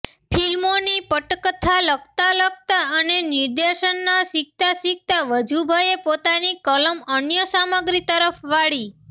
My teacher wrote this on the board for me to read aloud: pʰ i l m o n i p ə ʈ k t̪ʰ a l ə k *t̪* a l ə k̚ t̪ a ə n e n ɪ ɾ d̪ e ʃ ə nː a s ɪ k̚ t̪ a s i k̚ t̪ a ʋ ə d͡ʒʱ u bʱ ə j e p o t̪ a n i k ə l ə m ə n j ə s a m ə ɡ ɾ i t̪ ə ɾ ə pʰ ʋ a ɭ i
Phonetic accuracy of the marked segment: correct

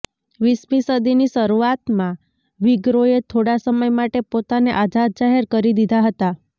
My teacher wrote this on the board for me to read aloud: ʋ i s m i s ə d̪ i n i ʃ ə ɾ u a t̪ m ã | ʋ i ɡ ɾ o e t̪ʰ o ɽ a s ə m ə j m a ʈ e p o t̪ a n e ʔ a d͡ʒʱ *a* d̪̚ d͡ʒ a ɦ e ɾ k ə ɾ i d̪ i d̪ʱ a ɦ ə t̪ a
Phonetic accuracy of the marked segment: correct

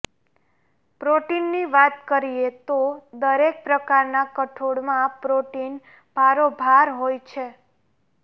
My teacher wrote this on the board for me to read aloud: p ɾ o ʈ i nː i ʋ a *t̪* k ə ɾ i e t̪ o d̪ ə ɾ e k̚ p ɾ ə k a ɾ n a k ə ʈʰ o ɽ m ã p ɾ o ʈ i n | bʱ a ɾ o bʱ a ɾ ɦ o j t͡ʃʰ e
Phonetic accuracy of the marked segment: correct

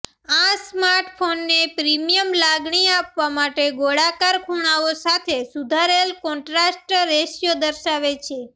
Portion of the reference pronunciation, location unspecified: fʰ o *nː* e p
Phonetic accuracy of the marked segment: correct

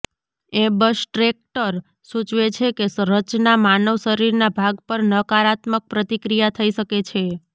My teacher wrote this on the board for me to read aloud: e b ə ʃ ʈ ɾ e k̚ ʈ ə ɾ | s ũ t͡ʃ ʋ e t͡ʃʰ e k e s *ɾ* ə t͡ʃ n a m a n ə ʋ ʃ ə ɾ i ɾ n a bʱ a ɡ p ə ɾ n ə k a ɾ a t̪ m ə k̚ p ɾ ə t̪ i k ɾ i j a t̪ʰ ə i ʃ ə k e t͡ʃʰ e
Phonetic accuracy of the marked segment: correct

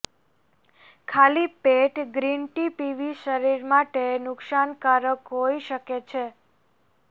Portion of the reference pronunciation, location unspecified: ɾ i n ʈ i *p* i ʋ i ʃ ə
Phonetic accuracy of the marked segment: correct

